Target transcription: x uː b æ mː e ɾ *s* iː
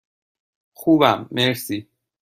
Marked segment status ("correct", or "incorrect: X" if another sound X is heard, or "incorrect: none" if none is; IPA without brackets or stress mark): correct